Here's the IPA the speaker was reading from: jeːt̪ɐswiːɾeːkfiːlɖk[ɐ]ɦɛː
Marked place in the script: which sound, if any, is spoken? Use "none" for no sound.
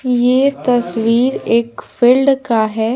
a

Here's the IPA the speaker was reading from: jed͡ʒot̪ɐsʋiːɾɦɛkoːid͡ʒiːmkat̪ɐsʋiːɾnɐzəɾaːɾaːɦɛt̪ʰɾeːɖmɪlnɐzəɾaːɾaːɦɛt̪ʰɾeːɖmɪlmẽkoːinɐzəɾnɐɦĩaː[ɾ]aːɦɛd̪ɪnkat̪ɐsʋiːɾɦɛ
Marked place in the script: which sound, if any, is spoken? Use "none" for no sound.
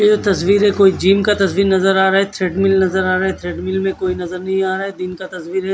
ɾ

